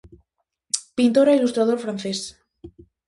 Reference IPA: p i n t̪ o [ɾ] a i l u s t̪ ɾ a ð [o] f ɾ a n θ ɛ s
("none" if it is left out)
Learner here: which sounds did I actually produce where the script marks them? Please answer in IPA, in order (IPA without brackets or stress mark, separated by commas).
ɾ, o